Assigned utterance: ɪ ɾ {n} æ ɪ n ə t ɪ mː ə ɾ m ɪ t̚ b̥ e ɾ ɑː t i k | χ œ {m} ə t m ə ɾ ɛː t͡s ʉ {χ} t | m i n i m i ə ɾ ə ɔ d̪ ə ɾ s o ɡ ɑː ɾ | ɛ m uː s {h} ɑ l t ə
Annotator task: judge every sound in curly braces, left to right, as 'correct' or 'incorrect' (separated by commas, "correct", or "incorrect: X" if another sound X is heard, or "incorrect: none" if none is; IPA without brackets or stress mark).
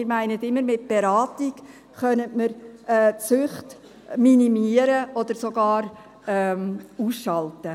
incorrect: m, incorrect: n, correct, incorrect: ʃ